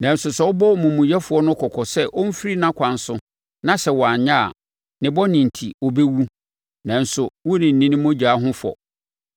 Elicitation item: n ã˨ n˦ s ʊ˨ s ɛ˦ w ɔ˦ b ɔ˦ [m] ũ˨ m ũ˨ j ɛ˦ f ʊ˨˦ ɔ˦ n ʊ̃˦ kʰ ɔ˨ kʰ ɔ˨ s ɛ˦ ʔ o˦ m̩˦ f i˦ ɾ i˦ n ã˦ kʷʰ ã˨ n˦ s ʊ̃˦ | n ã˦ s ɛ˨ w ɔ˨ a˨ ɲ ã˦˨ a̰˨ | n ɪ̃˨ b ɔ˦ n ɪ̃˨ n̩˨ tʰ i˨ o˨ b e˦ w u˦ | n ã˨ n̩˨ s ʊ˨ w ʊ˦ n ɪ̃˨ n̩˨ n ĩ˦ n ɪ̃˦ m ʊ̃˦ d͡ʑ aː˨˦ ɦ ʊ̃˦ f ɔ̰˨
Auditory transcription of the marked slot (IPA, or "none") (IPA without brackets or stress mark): m